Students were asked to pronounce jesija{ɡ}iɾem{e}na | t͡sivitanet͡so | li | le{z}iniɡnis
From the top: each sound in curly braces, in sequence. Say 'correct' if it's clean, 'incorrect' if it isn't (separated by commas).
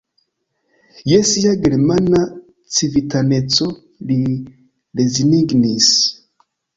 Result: correct, incorrect, correct